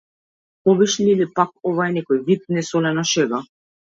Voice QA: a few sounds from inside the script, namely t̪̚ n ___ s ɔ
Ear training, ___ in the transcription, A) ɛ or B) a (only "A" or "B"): A